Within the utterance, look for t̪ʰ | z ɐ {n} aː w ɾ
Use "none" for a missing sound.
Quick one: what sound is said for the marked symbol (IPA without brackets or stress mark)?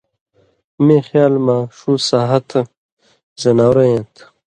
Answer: n